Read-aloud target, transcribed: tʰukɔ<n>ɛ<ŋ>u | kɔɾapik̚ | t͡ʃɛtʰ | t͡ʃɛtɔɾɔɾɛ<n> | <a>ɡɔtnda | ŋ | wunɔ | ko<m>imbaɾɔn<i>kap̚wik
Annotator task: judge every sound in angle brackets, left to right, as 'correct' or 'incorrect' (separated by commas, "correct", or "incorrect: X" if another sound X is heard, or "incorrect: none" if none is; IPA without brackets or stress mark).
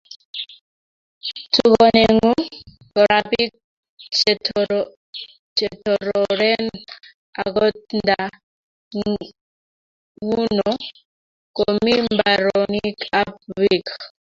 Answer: correct, correct, correct, correct, correct, correct